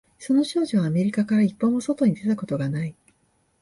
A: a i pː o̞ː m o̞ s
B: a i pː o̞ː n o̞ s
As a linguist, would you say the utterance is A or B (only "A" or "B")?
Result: A